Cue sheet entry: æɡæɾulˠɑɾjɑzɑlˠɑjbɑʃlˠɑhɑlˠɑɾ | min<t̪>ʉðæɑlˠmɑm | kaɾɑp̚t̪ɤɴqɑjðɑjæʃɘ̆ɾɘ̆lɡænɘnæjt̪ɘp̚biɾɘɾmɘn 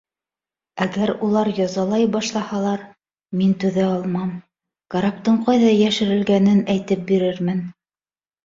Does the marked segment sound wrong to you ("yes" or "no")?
no